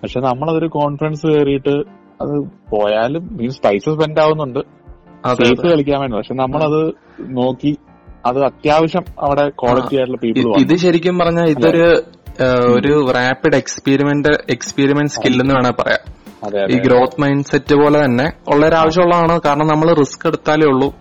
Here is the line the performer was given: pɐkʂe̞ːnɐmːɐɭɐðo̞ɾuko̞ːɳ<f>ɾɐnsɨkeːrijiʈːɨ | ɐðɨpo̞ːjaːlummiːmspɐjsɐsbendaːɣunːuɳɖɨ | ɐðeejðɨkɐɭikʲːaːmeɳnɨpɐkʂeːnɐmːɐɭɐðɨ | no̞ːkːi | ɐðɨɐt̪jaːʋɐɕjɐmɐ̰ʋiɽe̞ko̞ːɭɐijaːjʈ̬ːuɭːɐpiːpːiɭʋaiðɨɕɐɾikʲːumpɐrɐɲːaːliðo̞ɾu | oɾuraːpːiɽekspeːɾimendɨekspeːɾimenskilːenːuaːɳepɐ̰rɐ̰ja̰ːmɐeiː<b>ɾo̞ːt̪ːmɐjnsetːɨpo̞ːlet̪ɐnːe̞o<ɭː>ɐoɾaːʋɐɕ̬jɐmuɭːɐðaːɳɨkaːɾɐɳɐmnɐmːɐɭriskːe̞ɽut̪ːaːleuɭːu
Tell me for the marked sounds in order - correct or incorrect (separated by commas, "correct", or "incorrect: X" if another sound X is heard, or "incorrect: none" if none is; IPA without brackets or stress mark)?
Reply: correct, incorrect: ɡ, correct